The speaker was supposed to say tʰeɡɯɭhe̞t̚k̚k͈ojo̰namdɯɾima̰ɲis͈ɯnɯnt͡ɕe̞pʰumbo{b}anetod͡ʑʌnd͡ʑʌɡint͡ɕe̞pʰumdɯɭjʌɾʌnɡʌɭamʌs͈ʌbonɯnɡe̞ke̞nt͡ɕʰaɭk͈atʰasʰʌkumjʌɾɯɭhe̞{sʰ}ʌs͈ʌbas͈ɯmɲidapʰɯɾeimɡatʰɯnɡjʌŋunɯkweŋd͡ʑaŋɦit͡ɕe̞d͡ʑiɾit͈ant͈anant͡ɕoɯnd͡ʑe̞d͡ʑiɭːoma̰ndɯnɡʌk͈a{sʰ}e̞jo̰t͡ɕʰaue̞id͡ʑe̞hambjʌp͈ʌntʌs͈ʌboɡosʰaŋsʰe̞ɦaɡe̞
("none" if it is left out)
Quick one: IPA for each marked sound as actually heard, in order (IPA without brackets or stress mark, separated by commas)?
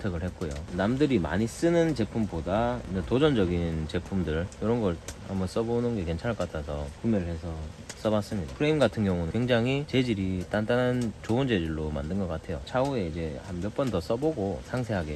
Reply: d, sʰ, tʰ